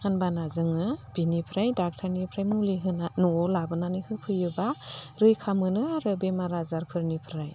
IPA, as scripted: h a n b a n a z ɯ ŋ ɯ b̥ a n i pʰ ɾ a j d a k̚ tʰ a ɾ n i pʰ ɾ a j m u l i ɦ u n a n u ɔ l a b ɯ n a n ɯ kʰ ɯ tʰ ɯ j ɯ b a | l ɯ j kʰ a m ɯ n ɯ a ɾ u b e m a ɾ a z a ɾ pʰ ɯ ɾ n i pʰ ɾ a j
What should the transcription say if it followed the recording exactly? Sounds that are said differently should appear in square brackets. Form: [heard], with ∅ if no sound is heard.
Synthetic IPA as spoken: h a n b a n a z ɯ ŋ ɯ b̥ [i] n i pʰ ɾ a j d a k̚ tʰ a ɾ n i pʰ ɾ a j m u l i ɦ [ɯ] n a n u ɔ l a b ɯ n a n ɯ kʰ ɯ [pʰ] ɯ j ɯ b a | [ɾ] ɯ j kʰ a m ɯ n ɯ a ɾ [ɯ] b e m a ɾ a z a ɾ pʰ ɯ ɾ n i pʰ ɾ a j